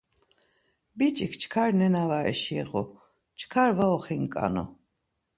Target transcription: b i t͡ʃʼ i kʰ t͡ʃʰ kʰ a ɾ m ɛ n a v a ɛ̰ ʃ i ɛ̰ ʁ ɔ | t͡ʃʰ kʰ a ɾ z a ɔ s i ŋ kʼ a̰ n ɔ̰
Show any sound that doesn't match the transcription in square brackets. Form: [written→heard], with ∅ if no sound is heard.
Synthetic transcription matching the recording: b i t͡ʃʼ i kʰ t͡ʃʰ kʰ a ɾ [m→n] ɛ n a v a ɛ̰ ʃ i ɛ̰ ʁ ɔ | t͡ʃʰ kʰ a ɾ [z→v] a ɔ [s→χ] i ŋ kʼ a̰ n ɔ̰